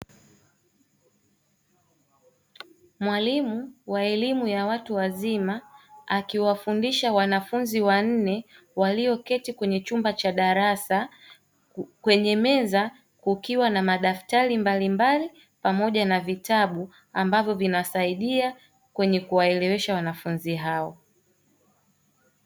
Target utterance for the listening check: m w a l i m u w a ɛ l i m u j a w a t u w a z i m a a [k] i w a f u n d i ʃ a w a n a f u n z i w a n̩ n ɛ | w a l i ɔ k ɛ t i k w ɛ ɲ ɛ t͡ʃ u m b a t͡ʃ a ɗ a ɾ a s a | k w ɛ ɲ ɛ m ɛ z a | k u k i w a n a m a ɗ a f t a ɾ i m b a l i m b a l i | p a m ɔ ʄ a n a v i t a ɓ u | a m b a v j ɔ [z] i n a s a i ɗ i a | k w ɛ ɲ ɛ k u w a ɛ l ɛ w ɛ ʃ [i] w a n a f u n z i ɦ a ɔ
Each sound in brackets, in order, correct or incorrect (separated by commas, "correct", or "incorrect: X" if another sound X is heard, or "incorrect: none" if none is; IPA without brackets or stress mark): correct, incorrect: v, incorrect: a